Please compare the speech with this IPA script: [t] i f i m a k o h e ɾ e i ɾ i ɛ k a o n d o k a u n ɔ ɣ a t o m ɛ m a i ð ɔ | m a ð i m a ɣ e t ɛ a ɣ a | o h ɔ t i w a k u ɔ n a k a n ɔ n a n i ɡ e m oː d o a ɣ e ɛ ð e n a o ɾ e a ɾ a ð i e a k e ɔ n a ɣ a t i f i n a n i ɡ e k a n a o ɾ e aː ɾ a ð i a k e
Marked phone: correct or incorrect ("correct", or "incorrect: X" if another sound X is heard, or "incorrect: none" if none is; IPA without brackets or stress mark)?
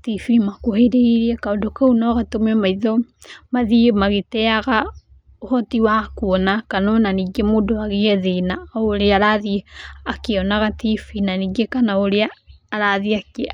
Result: correct